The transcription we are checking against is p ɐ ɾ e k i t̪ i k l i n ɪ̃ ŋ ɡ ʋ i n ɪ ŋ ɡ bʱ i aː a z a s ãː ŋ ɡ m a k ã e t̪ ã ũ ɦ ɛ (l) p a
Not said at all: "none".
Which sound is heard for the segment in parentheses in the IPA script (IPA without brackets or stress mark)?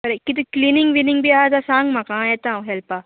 l